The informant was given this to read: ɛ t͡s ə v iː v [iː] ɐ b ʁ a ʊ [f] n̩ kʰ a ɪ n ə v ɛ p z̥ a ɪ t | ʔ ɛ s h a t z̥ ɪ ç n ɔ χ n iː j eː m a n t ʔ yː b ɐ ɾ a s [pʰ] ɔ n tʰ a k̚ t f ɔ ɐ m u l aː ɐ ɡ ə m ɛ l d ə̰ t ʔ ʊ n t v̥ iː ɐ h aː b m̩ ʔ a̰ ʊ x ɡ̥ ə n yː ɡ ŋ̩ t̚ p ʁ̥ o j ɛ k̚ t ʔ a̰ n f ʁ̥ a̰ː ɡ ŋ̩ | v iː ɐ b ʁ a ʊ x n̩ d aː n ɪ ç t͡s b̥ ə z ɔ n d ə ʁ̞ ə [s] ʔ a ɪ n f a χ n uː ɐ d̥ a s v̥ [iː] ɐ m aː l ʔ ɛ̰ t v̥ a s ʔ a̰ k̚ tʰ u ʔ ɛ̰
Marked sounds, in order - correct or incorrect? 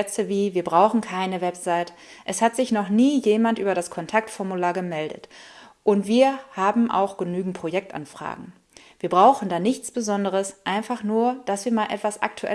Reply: correct, incorrect: x, incorrect: kʰ, correct, correct

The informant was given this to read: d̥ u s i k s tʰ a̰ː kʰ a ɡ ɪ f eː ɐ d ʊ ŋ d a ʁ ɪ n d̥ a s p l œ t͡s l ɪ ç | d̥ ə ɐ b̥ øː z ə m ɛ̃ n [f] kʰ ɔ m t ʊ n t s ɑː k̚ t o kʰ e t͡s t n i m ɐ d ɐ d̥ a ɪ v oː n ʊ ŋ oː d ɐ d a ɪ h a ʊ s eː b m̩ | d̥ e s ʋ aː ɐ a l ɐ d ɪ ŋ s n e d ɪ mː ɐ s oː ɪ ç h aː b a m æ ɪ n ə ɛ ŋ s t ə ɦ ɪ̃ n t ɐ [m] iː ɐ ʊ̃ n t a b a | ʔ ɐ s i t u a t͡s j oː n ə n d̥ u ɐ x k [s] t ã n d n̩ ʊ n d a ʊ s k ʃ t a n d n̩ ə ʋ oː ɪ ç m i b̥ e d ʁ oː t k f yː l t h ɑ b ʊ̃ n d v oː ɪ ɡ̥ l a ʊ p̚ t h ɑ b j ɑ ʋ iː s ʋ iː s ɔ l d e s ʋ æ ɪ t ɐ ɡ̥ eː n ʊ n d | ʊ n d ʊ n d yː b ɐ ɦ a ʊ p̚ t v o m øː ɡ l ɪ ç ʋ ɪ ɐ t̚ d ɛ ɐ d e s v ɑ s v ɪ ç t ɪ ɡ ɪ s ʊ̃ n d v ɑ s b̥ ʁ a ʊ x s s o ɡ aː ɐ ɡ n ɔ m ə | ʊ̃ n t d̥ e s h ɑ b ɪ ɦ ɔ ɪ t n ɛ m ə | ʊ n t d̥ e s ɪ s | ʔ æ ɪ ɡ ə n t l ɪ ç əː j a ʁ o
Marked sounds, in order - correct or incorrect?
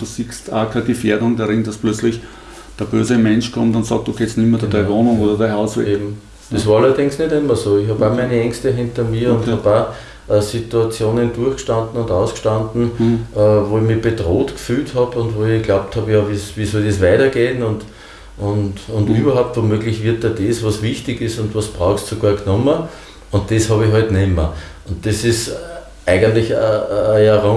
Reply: incorrect: ʃ, correct, incorrect: ʃ

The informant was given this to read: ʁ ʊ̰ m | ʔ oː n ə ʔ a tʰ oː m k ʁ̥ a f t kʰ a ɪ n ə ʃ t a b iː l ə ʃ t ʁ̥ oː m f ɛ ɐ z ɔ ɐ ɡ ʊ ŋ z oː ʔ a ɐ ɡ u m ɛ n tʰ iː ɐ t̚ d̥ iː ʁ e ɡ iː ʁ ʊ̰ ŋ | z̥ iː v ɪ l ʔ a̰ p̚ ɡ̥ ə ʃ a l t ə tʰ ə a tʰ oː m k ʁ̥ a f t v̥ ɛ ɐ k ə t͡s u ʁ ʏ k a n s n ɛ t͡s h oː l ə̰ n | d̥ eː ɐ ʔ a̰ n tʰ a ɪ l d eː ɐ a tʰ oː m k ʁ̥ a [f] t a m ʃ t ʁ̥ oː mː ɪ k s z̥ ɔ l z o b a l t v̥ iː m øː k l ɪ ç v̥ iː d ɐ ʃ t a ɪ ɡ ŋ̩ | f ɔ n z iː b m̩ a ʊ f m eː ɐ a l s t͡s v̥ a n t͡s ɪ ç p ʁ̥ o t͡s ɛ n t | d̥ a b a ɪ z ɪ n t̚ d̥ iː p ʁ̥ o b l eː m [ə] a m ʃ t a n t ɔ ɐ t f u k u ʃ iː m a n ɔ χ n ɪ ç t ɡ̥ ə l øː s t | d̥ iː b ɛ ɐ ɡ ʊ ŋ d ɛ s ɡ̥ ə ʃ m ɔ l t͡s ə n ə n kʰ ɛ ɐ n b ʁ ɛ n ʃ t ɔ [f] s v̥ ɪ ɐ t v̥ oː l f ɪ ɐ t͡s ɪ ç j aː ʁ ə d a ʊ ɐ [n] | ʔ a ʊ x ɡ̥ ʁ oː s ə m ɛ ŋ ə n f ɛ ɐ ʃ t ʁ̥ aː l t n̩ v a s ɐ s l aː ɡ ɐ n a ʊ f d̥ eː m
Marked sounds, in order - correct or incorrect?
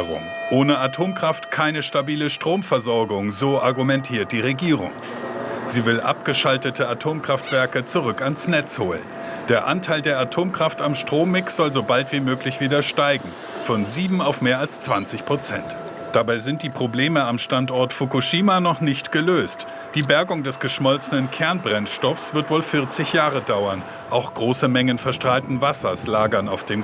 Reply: correct, correct, correct, correct

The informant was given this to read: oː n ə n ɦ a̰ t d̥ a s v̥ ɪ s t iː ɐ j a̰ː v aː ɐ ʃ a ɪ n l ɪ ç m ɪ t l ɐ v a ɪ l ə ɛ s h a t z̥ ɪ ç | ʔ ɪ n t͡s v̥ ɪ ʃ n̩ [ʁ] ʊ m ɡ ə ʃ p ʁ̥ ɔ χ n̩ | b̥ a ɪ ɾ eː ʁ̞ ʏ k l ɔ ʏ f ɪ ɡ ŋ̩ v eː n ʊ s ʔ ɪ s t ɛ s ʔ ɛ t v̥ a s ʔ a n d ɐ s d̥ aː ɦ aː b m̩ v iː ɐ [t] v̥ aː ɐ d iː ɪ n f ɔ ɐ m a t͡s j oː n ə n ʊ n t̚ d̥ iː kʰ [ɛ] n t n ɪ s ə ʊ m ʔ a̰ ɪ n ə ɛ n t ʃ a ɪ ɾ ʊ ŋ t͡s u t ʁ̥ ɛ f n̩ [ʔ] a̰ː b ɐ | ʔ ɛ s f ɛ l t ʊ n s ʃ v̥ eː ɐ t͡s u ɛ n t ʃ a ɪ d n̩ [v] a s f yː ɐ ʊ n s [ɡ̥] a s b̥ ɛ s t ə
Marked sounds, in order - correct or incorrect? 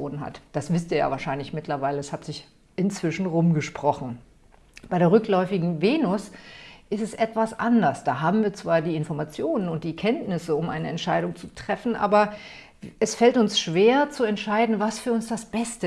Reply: correct, incorrect: t͡s, correct, correct, correct, incorrect: d̥

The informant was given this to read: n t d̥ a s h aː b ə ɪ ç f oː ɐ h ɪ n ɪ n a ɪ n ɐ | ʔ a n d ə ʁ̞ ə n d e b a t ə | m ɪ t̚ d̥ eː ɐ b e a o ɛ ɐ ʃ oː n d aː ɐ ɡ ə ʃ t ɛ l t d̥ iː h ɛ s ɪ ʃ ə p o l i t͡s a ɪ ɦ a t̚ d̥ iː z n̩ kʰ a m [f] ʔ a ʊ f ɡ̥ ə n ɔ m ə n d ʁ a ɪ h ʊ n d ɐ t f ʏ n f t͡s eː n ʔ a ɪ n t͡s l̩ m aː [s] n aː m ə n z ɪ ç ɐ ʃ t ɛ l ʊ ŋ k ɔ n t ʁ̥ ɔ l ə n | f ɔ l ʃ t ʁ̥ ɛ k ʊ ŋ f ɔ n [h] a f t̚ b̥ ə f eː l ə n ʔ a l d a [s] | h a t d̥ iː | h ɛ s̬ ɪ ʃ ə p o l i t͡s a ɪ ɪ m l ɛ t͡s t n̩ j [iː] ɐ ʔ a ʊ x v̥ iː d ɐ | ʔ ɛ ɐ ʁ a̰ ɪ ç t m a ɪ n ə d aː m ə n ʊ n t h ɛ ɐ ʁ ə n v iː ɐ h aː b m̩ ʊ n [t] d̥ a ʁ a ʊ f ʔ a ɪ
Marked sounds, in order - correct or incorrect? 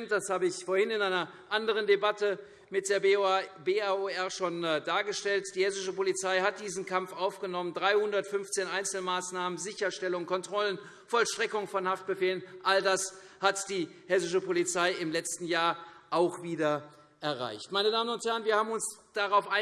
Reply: correct, correct, correct, correct, incorrect: aː, incorrect: s

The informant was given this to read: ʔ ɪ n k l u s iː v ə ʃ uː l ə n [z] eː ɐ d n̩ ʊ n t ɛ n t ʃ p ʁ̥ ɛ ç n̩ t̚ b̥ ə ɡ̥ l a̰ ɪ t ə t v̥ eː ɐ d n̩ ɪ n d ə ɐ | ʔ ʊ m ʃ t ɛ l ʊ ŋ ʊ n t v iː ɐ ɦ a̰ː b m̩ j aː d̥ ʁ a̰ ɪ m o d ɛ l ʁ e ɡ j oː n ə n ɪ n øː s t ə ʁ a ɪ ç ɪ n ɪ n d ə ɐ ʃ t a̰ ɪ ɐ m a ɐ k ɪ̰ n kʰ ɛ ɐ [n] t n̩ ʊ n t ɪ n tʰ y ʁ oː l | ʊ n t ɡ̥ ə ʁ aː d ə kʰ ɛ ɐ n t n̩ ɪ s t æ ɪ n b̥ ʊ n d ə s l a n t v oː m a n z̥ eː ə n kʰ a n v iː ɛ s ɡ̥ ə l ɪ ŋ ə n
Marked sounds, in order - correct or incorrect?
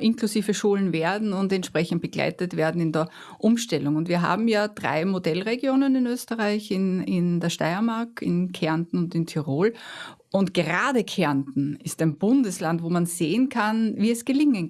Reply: incorrect: v, correct

